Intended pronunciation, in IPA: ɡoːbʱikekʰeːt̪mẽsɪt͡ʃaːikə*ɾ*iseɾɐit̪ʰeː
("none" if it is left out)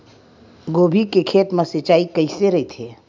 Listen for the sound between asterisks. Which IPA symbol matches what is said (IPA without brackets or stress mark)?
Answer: none